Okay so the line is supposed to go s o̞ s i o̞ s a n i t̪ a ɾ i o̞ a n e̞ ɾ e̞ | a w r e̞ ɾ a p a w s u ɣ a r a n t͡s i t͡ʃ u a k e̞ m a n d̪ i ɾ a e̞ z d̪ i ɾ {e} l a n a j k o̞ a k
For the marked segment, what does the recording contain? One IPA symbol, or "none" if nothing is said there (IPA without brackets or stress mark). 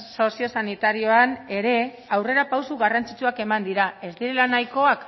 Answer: e